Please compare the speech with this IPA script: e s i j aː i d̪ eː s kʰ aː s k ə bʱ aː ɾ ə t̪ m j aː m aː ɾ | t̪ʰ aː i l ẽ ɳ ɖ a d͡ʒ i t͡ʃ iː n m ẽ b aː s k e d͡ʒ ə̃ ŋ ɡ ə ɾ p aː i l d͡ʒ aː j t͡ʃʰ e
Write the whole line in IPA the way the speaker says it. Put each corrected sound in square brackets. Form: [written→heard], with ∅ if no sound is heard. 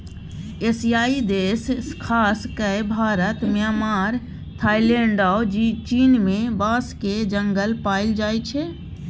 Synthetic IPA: e s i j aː i d̪ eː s kʰ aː s k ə bʱ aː ɾ ə t̪ m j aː m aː ɾ | t̪ʰ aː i l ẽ ɳ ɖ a d͡ʒ i t͡ʃ iː n m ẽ b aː s k e d͡ʒ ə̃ ŋ ɡ ə [ɾ→l] p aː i l d͡ʒ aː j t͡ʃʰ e